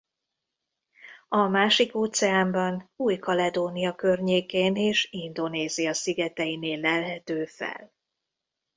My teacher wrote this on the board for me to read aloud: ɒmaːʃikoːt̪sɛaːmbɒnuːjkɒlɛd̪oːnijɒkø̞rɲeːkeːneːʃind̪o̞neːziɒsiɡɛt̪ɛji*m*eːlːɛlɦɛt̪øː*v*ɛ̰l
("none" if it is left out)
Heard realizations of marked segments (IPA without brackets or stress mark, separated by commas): n, f